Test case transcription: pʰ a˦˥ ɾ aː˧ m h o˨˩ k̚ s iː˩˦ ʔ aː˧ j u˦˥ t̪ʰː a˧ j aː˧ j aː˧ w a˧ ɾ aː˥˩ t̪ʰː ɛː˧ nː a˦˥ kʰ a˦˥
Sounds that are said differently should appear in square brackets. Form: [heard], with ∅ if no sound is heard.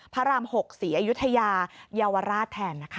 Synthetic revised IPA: pʰ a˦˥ ɾ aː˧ m h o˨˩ k̚ s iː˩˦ ʔ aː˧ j u˦˥ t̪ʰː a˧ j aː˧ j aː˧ w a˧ ɾ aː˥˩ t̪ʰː ɛː˧ nː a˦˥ kʰ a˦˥

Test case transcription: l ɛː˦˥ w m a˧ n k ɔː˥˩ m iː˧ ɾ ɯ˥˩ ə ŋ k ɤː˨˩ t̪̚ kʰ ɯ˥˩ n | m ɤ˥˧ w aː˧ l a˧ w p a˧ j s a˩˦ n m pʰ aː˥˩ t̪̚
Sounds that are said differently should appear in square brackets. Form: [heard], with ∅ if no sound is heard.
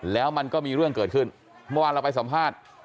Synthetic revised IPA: l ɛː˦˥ w m a˧ n k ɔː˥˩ m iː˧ ɾ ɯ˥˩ ə ŋ k ɤː˨˩ t̪̚ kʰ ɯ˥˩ n | m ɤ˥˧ w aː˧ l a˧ w p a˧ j s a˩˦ [∅] m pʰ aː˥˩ t̪̚

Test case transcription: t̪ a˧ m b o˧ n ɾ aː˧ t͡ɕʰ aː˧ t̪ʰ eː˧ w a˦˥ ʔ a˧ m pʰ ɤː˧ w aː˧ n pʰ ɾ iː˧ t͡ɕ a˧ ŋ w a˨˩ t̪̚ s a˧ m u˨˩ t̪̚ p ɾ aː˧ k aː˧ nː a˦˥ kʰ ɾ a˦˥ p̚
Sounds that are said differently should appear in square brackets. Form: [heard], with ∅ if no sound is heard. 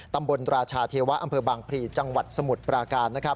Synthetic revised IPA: t̪ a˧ m b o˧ n ɾ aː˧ t͡ɕʰ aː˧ t̪ʰ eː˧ w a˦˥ ʔ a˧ m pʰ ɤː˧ [b] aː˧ [ŋ] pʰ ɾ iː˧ t͡ɕ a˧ ŋ w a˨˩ t̪̚ s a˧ m u˨˩ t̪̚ p ɾ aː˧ k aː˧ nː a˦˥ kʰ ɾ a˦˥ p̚

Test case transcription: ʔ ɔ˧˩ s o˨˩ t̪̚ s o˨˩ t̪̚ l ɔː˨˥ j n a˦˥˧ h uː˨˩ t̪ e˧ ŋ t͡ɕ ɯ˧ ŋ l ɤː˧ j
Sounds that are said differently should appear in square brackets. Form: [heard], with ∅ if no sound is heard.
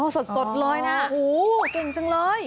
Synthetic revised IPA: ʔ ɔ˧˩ s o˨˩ t̪̚ s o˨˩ t̪̚ l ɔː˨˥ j n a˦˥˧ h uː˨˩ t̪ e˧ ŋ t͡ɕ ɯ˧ ŋ l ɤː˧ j

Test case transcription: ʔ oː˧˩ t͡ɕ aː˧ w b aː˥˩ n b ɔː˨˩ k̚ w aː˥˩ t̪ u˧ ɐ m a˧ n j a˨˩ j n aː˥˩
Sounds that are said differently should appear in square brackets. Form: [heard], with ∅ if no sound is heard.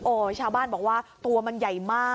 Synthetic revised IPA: ʔ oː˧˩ [t͡ɕʰ] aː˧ w b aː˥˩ n b ɔː˨˩ k̚ w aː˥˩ t̪ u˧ ɐ m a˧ n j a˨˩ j [m] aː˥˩

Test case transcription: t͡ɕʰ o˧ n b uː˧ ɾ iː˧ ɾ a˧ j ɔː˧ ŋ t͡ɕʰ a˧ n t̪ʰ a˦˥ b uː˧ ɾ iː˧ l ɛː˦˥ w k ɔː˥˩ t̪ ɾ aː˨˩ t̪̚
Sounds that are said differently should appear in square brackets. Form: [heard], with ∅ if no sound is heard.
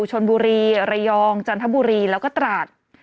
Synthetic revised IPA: t͡ɕʰ o˧ n b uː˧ ɾ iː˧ ɾ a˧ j ɔː˧ ŋ [t͡ɕ] a˧ n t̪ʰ a˦˥ b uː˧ ɾ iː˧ l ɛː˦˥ w k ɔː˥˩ t̪ ɾ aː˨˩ t̪̚

